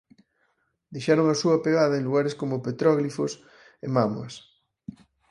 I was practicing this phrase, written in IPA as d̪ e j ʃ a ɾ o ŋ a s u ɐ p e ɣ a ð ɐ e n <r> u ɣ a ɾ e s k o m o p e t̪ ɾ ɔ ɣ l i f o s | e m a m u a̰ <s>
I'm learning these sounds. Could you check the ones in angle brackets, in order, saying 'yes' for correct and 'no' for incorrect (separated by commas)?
no, yes